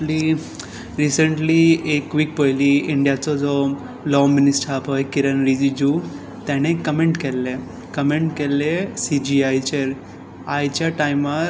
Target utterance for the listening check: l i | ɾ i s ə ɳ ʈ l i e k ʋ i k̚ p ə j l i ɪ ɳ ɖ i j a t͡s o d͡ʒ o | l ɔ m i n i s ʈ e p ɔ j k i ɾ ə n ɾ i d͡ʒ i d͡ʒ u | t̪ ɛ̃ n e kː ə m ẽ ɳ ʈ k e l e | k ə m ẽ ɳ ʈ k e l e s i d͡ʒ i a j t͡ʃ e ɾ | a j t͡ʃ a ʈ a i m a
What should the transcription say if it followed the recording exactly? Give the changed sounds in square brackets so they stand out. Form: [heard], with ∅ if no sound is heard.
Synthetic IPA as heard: l i | ɾ i s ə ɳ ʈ l i e k ʋ i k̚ p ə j l i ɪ ɳ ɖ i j a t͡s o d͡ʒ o | l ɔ m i n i s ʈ [a] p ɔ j k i ɾ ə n ɾ i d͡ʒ i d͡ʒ u | t̪ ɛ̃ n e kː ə m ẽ ɳ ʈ k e l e | k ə m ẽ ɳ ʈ k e l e s i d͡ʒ i a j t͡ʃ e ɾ | a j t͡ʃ a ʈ a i m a